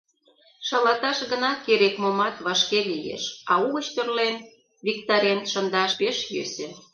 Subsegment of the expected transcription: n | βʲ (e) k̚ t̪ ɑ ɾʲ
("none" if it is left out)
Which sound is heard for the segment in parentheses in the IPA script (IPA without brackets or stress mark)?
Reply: i